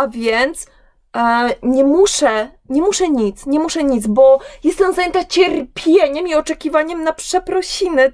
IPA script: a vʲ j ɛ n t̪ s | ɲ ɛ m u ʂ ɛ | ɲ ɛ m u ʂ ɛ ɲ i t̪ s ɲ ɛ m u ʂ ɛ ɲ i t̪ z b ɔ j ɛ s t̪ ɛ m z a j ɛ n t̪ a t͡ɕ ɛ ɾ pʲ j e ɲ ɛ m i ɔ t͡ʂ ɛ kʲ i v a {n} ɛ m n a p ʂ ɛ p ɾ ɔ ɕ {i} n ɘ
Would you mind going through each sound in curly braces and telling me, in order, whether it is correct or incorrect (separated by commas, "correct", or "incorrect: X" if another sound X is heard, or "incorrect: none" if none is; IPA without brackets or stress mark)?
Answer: incorrect: ɲ, correct